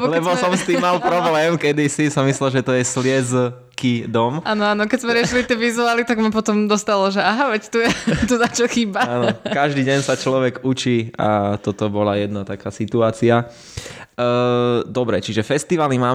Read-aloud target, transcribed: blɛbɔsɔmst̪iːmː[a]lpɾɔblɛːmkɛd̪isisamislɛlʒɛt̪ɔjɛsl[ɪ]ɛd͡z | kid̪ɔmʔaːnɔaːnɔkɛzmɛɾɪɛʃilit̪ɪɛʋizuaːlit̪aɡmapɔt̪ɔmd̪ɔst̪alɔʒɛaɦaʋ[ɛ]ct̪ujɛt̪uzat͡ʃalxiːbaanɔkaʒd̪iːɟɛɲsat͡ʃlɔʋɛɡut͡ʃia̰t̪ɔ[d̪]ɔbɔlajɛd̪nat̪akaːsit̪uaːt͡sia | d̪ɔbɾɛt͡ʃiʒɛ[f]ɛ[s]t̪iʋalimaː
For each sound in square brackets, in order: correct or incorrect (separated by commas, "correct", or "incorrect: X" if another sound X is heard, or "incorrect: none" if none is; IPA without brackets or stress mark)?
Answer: correct, correct, correct, incorrect: t̪, correct, correct